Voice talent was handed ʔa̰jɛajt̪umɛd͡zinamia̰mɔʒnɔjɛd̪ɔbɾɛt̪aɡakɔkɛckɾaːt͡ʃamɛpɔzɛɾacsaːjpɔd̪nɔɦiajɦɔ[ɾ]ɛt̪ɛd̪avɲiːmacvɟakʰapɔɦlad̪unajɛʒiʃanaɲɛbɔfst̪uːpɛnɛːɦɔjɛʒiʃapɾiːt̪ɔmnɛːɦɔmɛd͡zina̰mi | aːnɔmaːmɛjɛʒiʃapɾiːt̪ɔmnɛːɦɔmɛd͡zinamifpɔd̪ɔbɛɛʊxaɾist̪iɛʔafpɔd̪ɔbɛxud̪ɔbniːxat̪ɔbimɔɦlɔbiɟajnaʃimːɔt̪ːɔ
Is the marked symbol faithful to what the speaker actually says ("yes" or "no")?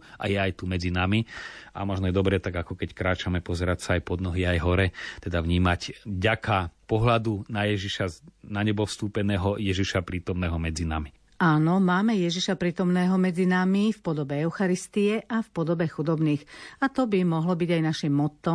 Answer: yes